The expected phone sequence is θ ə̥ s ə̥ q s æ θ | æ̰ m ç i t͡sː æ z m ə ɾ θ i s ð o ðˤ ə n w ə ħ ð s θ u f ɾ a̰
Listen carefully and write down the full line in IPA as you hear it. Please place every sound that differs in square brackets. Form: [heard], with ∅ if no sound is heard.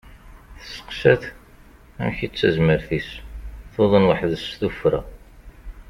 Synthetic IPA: θ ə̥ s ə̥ q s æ θ | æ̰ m ç i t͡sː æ z m ə ɾ θ i s [θ] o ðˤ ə n w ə ħ ð s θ u f ɾ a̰

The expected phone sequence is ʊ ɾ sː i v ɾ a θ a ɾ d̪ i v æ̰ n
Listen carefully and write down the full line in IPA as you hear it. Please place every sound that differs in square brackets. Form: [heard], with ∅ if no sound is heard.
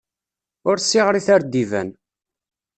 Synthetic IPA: ʊ ɾ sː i [ʁ] ɾ [i] θ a ɾ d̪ i v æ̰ n

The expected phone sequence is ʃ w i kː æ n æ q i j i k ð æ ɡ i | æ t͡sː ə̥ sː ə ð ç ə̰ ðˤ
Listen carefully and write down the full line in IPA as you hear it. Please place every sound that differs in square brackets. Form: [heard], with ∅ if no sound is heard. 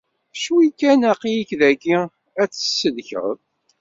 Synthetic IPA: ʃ w i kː æ n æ q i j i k ð æ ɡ i | æ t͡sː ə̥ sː ə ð ç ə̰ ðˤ

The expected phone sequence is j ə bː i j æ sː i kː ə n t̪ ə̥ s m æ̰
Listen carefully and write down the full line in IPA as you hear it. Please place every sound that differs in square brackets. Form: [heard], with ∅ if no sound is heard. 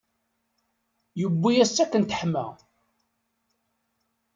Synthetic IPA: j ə bː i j æ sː [æ] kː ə n t̪ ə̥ [ħ] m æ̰

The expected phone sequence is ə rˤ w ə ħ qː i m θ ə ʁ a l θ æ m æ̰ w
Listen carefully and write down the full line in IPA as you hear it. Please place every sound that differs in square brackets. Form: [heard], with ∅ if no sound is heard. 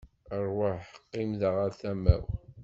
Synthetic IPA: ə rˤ w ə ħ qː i m [ð] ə ʁ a [ɾ] θ æ m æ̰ w

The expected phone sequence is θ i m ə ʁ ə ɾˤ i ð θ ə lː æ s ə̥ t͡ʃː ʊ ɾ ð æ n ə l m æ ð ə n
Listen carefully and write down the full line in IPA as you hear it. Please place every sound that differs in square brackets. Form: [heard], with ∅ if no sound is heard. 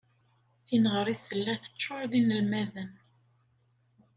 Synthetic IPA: θ i [n] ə ʁ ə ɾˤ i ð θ ə lː æ [θ] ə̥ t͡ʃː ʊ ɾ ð [i] n ə l m æ ð ə n

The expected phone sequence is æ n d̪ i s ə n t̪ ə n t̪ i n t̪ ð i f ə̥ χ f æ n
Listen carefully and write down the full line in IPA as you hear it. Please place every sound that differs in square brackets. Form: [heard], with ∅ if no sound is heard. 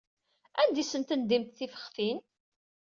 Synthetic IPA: æ n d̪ i s ə n t̪ ə n [d̪] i [m] t̪ [θ] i f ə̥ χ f [i] n

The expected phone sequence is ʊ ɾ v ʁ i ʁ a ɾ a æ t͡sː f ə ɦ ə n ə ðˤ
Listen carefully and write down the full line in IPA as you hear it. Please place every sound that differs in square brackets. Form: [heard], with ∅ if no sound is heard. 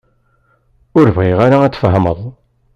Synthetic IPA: ʊ ɾ v ʁ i ʁ a ɾ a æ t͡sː f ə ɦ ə [m] ə ðˤ

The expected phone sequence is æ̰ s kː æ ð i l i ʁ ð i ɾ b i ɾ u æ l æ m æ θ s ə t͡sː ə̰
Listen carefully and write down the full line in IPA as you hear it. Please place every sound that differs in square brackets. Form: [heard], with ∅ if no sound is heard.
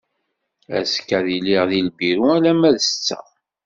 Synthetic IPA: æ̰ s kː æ ð i l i ʁ ð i [l] b i ɾ u æ l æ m æ [ð] s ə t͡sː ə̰

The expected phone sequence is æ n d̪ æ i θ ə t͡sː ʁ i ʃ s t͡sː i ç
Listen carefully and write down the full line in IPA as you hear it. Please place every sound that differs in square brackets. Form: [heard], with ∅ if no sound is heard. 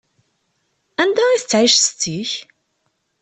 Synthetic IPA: æ n d̪ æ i θ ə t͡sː [ʕ] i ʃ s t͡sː i ç

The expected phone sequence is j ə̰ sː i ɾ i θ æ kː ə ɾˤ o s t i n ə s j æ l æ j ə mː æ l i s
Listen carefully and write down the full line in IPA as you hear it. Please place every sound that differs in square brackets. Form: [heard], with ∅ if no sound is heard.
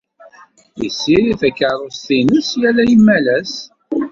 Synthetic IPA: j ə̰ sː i ɾ i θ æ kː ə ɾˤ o s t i n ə s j æ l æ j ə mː æ l [æ] s

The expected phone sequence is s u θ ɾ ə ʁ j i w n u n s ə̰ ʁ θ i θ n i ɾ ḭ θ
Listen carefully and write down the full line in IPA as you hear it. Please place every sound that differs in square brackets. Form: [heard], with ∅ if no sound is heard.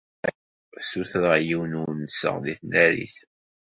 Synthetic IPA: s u θ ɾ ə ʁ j i w n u n s ə̰ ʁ [ð] i θ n [æ] ɾ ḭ θ

